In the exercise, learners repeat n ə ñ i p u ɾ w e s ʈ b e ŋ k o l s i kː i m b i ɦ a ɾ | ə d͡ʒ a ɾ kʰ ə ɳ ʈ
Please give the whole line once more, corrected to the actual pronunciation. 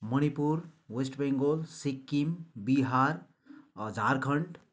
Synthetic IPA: m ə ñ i p u ɾ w e s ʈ b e ŋ ɡ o l s i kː i m b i ɦ a ɾ | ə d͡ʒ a ɾ kʰ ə ɳ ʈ